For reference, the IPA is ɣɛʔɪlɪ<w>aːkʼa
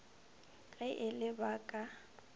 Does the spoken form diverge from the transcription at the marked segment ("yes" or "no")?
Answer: yes